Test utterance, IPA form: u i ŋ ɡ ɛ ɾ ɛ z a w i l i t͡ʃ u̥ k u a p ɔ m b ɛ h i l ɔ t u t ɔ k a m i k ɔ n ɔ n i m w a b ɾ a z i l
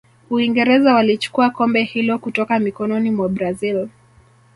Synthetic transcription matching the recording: u i ŋ ɡ ɛ ɾ ɛ z a w a l i t͡ʃ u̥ k u a k ɔ m b ɛ h i l ɔ k u t ɔ k a m i k ɔ n ɔ n i m w a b ɾ a z i l